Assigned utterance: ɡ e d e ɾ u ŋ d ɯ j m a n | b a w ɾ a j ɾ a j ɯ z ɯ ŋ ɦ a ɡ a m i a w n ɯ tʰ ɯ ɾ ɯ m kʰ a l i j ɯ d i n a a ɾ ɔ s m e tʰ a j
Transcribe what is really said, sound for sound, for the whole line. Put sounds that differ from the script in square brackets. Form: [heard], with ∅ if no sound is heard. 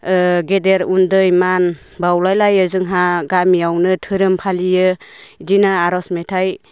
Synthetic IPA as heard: ɡ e d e ɾ u [n] d ɯ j m a n | b a w [l] a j [l] a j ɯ z ɯ ŋ ɦ a ɡ a m i a w n ɯ tʰ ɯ ɾ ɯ m [pʰ] a l i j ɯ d i n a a ɾ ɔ s m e tʰ a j